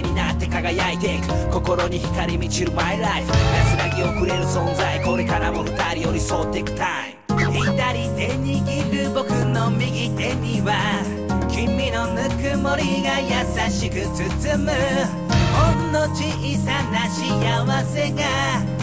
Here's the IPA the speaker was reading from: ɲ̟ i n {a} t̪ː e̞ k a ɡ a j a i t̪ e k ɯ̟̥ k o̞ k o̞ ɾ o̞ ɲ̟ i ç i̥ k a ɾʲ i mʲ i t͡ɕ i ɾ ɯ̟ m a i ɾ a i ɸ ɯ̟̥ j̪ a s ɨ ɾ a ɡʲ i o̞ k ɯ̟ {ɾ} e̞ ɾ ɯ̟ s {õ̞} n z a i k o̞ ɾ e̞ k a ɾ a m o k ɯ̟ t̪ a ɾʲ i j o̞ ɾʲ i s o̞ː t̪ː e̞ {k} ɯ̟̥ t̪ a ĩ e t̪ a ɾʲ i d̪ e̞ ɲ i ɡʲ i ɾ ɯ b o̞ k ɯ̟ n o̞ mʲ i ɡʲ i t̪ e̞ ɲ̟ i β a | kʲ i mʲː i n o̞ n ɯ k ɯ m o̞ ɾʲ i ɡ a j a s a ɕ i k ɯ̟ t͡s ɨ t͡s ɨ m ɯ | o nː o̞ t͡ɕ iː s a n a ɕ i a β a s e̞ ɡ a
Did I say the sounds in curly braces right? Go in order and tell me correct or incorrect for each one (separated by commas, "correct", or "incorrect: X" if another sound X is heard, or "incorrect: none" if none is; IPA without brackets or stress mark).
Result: correct, correct, correct, correct